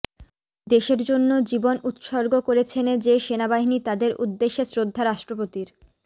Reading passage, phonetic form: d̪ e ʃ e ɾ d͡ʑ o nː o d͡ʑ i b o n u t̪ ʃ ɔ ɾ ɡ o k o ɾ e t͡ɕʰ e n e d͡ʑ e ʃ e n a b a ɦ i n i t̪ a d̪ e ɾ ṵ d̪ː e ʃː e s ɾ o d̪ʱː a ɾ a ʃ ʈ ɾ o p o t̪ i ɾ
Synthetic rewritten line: d̪ e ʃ e ɾ d͡ʑ o nː o d͡ʑ i b o n u t̪ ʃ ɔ ɾ ɡ o k o ɾ e t͡ɕʰ e n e d͡ʑ e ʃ e n a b a ɦ i n i t̪ a d̪ e ɾ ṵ d̪ː e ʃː e s ɾ o d̪ʱː a ɾ a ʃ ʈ ɾ o p o t̪ i ɾ

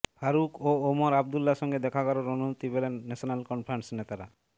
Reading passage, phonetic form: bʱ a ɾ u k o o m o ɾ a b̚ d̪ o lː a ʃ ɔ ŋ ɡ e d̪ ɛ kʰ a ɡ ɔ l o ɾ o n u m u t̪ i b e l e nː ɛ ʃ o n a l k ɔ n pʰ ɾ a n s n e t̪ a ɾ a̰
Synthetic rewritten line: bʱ a ɾ u k o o m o ɾ a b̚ d̪ u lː a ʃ ɔ ŋ ɡ e d̪ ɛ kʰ a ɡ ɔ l o ɾ o n u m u t̪ i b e l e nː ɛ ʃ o n a l k ɔ n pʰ ɾ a n s n e t̪ a ɾ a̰

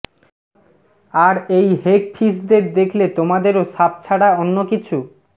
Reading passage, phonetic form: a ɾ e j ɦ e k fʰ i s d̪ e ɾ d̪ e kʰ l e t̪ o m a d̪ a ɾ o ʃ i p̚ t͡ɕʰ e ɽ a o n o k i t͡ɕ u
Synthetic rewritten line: a ɾ e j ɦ e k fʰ i s d̪ e ɾ d̪ e kʰ l e t̪ o m a d̪ e ɾ o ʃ a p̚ t͡ɕʰ a ɽ a o nː o k i t͡ɕʰ u

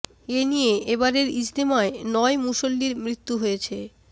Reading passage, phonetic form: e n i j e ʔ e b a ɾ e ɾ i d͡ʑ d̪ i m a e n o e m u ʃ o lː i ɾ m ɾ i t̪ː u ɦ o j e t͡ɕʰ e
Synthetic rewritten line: e n i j e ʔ e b a ɾ e ɾ i d͡ʑ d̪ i m a e n ɔ e m u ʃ o lː i ɾ m ɾ i t̪ː u ɦ o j e t͡ɕʰ e

